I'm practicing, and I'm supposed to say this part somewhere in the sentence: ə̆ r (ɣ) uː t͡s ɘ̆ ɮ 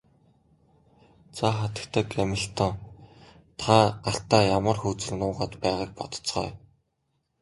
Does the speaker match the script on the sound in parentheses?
no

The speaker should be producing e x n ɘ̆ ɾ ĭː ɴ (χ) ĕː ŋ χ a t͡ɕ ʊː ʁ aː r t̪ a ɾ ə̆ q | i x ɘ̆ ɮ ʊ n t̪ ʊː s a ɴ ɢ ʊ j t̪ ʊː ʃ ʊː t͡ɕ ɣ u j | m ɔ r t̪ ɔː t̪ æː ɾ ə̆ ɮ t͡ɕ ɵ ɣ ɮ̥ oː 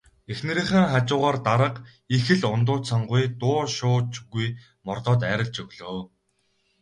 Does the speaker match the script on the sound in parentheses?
yes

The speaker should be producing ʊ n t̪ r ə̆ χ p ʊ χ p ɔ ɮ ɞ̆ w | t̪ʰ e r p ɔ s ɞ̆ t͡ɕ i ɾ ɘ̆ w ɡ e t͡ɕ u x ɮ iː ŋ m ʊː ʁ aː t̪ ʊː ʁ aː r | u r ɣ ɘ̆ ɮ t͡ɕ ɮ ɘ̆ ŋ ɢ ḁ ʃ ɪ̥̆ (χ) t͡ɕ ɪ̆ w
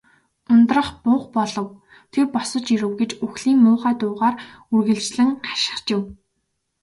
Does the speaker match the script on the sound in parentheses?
yes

